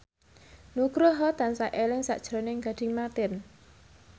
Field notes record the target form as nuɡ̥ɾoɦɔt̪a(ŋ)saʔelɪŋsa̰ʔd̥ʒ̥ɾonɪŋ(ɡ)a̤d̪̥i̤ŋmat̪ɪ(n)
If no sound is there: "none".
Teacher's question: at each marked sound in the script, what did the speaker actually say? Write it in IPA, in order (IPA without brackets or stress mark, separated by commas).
n, ɡ, n